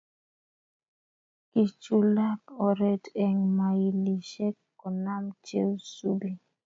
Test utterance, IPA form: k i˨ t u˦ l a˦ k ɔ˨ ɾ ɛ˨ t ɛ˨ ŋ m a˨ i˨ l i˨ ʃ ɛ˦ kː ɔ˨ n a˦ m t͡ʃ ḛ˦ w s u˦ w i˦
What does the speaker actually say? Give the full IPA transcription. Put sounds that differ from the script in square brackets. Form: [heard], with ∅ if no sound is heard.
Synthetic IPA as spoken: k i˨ [t͡ʃ] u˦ l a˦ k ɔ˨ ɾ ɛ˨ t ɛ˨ ŋ m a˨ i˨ l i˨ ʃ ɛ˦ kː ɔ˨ n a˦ m t͡ʃ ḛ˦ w s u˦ [b] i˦